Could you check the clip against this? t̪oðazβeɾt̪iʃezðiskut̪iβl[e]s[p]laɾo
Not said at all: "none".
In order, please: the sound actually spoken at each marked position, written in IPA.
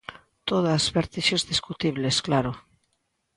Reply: e, k

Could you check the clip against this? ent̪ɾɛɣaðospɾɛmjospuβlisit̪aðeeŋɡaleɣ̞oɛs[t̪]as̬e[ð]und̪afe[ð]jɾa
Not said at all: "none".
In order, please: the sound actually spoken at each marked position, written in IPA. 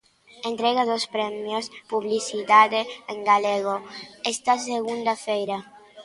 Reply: t̪, ɣ, none

